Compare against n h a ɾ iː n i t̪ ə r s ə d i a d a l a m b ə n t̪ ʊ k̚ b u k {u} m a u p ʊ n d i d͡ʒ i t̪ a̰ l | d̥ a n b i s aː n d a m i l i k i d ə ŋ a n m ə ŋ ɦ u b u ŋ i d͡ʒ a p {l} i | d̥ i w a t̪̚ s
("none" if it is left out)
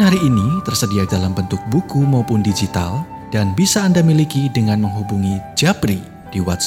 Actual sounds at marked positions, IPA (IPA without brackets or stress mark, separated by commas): u, ɾ